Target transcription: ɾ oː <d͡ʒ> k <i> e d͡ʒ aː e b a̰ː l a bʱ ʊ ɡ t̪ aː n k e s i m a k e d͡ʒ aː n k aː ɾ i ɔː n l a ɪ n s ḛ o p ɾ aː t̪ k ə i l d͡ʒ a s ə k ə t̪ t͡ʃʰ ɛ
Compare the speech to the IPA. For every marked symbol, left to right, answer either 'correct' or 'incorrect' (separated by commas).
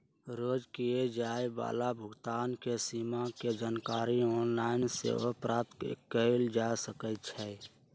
correct, correct